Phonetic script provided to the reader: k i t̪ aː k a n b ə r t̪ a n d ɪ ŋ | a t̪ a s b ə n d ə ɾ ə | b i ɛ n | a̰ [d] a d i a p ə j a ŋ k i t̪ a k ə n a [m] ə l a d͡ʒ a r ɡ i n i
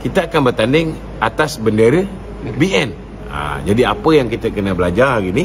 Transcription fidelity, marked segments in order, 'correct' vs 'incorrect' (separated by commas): incorrect, incorrect